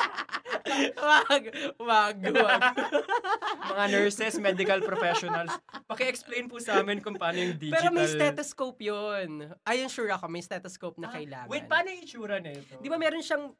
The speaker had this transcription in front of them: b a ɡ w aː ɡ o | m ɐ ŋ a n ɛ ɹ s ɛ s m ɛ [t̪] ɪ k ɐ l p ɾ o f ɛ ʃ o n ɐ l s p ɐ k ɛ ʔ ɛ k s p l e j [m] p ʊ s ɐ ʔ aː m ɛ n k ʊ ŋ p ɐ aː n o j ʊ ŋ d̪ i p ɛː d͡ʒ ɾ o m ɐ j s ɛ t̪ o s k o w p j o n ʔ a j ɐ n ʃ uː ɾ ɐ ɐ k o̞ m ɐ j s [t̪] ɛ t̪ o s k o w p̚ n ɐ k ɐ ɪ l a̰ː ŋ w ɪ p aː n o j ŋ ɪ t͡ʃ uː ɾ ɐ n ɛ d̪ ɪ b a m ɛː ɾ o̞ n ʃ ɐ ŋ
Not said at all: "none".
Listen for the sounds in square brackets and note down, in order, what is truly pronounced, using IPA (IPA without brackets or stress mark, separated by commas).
d̪, n, t̪